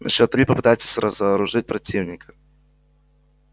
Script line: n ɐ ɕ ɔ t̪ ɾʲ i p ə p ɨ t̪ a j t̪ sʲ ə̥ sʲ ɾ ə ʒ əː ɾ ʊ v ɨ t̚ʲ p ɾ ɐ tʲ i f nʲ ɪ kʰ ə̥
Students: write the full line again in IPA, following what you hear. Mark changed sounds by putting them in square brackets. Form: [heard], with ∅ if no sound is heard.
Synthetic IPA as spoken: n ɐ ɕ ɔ t̪ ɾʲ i p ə p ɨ t̪ a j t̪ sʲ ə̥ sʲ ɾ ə [z] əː ɾ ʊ [ʐ] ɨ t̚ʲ p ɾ ɐ tʲ i [v] nʲ ɪ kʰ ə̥